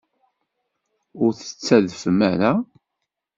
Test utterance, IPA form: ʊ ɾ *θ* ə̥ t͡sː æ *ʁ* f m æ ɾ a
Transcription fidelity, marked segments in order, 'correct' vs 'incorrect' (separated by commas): correct, incorrect